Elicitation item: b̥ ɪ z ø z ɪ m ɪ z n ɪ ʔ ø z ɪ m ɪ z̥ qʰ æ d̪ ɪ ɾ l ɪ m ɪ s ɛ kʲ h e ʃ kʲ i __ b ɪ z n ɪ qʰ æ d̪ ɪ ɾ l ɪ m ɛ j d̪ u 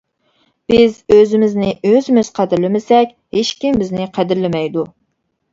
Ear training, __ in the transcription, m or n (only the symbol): m